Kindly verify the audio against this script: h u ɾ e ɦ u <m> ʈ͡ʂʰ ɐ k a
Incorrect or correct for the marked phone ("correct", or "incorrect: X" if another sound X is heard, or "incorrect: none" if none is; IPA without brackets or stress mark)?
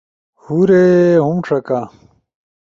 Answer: correct